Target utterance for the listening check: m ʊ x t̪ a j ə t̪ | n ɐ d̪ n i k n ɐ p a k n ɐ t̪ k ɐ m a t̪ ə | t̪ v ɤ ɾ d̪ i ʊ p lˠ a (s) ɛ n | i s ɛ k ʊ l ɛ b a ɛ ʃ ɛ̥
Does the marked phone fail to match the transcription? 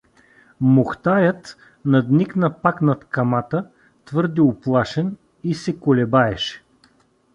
yes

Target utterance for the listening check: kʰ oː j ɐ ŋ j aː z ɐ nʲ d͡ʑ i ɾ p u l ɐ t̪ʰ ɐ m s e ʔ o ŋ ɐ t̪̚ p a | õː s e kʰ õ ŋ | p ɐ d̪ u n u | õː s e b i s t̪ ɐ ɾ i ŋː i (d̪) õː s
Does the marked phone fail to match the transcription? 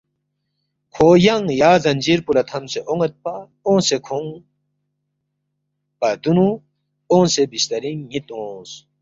yes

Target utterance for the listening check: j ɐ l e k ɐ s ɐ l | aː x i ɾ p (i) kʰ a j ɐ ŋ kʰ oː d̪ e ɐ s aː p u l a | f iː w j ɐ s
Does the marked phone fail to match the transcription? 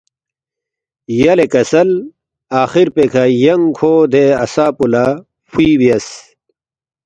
yes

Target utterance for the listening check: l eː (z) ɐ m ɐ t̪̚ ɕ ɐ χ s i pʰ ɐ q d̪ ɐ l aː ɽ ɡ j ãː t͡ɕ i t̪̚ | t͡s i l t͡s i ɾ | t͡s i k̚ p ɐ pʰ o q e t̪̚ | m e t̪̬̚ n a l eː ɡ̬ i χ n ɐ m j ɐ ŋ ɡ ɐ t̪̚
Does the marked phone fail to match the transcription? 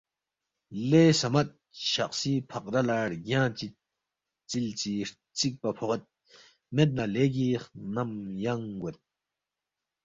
yes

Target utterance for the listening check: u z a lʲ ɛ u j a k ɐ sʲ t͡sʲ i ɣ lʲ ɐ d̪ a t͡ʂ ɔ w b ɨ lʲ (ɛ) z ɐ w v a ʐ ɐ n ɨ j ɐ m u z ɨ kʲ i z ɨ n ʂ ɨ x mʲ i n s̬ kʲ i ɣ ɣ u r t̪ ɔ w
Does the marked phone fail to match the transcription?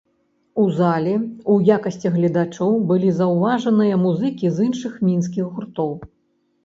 yes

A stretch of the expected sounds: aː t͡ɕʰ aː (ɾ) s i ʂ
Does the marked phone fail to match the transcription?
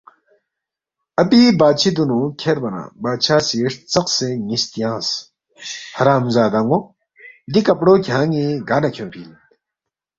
yes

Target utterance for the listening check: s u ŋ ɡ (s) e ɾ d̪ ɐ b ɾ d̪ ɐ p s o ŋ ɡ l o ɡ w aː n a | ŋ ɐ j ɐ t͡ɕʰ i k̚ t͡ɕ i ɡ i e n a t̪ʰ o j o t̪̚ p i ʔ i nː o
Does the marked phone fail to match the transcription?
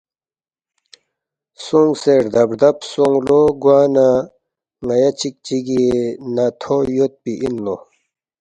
no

